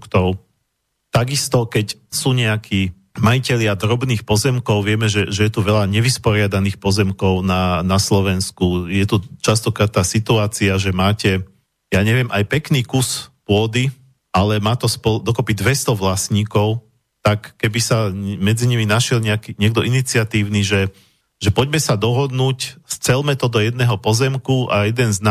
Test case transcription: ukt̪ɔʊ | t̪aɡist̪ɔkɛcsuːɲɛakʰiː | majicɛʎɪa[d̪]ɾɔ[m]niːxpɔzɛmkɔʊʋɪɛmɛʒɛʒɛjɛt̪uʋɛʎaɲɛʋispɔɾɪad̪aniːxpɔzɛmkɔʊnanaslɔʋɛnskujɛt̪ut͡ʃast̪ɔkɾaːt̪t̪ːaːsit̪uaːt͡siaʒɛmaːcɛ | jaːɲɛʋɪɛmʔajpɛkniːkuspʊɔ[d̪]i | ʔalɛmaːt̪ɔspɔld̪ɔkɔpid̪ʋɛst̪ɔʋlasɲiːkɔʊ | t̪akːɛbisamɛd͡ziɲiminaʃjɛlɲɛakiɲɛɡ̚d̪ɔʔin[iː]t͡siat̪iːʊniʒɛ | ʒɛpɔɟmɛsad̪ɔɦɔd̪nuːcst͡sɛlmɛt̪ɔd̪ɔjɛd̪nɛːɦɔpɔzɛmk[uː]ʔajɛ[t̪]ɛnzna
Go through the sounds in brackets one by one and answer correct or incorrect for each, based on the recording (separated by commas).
correct, incorrect, correct, incorrect, incorrect, incorrect